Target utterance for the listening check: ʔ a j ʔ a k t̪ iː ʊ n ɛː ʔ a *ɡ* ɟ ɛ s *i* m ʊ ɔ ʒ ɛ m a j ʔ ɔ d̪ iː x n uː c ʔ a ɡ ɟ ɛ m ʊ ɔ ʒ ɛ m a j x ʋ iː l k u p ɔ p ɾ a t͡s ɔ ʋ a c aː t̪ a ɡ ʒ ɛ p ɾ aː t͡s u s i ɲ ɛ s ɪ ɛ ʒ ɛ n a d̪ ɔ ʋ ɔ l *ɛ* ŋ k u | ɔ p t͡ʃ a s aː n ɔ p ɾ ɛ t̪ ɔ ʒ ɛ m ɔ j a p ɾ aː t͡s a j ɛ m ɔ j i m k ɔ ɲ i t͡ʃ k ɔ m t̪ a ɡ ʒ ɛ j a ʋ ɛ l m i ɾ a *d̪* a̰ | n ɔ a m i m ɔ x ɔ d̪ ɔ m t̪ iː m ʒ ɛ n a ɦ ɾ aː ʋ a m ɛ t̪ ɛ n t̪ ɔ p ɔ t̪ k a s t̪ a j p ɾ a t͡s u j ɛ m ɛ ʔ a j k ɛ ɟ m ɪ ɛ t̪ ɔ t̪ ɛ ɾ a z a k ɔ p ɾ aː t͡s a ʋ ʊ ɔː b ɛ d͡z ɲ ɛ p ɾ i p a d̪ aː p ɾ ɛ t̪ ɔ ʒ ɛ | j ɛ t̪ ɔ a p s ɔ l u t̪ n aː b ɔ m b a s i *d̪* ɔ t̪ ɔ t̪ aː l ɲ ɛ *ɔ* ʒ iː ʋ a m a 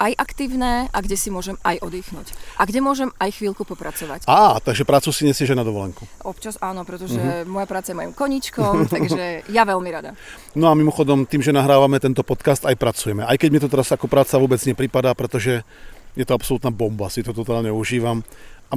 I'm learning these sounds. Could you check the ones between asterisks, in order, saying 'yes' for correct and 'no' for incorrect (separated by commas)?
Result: yes, yes, yes, yes, no, no